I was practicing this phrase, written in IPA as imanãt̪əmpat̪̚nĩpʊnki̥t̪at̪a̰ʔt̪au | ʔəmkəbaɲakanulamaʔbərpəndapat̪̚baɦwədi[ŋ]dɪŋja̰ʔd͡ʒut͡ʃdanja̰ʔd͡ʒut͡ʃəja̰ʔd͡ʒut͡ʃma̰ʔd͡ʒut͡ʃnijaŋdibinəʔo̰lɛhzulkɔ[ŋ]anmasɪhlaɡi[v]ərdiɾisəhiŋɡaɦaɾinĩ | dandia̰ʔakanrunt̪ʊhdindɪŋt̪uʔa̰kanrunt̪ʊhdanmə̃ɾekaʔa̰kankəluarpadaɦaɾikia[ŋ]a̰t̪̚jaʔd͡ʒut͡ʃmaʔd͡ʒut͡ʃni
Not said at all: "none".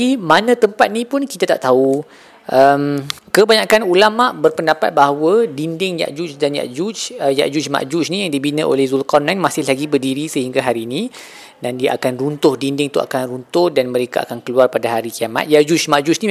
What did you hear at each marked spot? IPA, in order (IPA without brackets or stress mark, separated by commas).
n, n, b, m